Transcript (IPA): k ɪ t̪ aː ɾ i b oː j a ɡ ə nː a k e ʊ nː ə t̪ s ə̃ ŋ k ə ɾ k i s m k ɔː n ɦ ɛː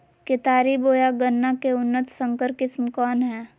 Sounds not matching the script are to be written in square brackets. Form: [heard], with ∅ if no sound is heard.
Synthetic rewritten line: k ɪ t̪ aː ɾ i b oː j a ɡ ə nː a k e ʊ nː ə t̪ s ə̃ ŋ k ə ɾ k [ɪ] s m k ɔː n ɦ ɛː

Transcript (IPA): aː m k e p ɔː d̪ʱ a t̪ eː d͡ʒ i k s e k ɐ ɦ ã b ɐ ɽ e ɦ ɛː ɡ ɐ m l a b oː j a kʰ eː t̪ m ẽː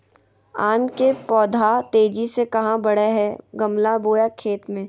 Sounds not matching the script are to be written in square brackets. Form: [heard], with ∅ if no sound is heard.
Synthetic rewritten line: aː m k e p ɔː d̪ʱ a t̪ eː d͡ʒ i [∅] s e k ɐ ɦ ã b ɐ ɽ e ɦ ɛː ɡ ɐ m l a b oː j a kʰ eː t̪ m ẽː

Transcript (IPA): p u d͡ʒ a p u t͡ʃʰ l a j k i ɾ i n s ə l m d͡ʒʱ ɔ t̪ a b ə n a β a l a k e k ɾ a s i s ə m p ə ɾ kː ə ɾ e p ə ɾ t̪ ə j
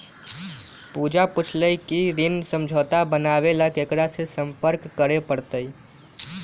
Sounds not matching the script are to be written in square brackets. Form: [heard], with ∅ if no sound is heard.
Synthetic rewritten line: p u d͡ʒ a p u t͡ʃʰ l [ə] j k i ɾ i n s ə [∅] m d͡ʒʱ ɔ t̪ a b ə n a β [e] l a k e k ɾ a s [e] s ə m p ə ɾ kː ə ɾ e p ə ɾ t̪ ə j

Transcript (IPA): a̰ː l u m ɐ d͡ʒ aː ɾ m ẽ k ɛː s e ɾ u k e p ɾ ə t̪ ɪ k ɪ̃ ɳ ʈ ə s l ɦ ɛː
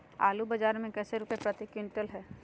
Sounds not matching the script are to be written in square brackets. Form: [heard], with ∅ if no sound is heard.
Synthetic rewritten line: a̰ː l u [b] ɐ d͡ʒ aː ɾ m ẽ k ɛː s e ɾ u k e p ɾ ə t̪ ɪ k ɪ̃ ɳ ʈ ə [∅] l ɦ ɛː

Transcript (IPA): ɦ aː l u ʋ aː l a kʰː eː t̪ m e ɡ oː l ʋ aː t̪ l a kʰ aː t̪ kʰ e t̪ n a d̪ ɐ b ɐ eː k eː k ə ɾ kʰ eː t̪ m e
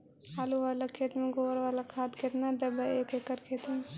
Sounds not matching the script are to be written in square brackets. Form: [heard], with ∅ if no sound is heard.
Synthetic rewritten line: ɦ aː l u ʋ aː l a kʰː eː t̪ m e ɡ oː [ɾ] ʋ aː [∅] l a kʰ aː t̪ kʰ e t̪ n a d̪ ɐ b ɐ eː k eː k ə ɾ kʰ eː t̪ m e

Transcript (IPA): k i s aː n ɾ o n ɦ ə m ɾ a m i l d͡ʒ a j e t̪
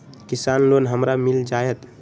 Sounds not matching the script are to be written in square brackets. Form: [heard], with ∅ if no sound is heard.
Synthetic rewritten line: k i s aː n [l] o n ɦ ə m ɾ a m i l d͡ʒ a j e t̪

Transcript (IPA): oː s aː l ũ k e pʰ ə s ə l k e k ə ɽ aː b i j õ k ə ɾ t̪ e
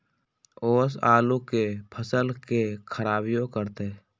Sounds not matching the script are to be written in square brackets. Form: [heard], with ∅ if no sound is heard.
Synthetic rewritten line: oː s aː l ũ k e pʰ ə s ə l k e [kʰ] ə [ɾ] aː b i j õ k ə ɾ t̪ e

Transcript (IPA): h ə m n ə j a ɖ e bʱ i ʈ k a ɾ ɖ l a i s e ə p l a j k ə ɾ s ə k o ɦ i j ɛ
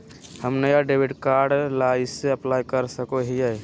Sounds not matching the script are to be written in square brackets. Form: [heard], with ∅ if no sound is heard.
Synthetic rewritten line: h ə m n ə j a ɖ e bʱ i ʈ k a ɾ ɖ l a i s e ə p l a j k ə ɾ s ə k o ɦ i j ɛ

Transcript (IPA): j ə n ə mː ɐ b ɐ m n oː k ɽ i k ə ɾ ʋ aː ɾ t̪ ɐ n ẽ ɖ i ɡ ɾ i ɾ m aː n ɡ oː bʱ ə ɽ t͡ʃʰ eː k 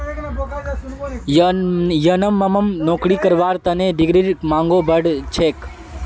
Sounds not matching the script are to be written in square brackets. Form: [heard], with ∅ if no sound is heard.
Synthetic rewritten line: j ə n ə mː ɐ [m] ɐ m n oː k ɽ i k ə ɾ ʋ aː ɾ t̪ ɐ n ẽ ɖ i ɡ ɾ i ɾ m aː [ŋ] ɡ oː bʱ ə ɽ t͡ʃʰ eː k

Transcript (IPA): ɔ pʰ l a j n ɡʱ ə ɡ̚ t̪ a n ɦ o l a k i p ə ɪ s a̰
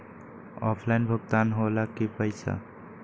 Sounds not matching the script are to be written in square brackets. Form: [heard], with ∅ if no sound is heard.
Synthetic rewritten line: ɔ pʰ l a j n [bʱ] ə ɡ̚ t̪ a n ɦ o l a k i p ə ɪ s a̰

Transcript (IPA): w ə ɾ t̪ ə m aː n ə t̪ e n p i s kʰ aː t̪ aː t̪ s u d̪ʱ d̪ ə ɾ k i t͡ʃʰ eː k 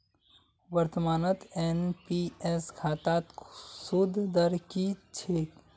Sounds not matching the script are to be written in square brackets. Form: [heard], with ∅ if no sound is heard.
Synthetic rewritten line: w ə ɾ t̪ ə m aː n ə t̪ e n p i s kʰ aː t̪ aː t̪ s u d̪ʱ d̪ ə ɾ k i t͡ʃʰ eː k

